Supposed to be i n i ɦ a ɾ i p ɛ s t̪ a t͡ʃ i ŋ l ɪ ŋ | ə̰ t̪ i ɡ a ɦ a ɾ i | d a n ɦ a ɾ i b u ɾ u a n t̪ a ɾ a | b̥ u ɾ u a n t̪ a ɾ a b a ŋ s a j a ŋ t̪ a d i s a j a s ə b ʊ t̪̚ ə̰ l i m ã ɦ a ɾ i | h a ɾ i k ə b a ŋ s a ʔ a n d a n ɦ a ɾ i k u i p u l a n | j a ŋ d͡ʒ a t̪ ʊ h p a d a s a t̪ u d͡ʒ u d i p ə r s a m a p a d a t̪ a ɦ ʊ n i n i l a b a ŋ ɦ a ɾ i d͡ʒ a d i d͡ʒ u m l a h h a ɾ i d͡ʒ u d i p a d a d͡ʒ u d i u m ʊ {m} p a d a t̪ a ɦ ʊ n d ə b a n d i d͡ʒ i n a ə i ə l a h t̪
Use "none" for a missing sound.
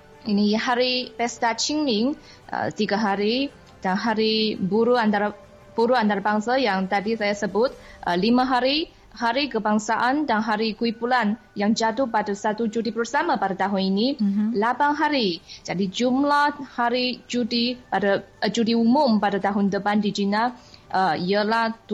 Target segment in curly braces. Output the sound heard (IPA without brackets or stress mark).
m